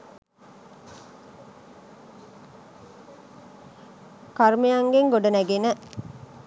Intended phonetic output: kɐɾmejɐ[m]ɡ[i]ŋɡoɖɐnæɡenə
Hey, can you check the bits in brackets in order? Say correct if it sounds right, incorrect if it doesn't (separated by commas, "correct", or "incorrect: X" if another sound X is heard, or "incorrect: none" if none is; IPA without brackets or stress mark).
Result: incorrect: ŋ, incorrect: e